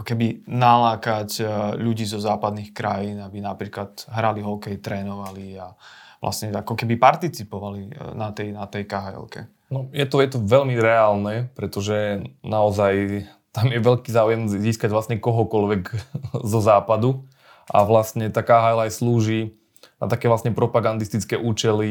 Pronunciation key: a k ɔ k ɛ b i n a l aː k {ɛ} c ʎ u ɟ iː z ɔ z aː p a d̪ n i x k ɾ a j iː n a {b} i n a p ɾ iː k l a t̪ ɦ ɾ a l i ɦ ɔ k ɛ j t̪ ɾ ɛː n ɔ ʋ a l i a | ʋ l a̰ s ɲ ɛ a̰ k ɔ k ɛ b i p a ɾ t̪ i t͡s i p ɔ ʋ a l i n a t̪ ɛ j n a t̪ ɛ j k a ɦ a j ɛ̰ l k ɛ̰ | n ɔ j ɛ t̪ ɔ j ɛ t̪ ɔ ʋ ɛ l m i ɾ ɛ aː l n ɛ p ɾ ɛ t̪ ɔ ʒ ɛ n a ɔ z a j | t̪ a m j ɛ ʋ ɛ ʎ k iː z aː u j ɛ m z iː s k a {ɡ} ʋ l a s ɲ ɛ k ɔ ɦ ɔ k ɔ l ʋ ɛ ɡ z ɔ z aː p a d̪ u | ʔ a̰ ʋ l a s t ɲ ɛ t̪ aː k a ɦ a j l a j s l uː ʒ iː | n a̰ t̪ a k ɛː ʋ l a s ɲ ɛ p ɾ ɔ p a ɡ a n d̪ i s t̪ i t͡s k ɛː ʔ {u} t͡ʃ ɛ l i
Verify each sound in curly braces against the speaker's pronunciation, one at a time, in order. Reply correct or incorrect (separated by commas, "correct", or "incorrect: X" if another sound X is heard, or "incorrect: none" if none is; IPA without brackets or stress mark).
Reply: incorrect: a, correct, incorrect: ɟ, incorrect: uː